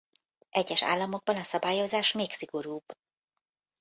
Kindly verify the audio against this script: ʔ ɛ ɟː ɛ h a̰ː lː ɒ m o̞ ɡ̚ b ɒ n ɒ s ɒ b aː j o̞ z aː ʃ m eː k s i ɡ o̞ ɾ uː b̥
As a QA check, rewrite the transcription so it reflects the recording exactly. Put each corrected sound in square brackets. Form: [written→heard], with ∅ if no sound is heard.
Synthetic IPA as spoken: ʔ ɛ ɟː ɛ [h→ʃ] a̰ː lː ɒ m o̞ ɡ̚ b ɒ n ɒ s ɒ b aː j o̞ z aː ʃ m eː k s i ɡ o̞ ɾ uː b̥